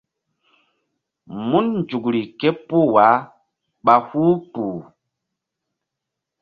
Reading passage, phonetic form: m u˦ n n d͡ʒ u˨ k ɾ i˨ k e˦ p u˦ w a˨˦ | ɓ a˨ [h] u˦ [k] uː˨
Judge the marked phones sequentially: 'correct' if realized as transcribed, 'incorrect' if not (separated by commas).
correct, incorrect